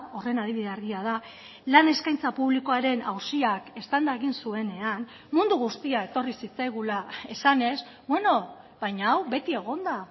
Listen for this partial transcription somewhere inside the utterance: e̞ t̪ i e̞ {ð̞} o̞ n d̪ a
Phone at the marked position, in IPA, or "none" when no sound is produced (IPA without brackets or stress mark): ɣ̞